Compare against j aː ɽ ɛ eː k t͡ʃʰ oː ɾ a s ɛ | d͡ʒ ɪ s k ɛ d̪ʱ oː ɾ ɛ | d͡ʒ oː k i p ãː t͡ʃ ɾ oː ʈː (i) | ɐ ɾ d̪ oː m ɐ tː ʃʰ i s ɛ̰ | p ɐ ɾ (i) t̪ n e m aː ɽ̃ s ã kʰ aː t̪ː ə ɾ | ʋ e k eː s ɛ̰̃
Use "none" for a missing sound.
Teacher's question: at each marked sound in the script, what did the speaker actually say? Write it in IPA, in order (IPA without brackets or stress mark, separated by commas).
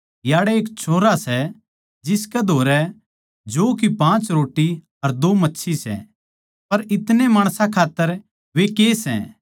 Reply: i, ɪ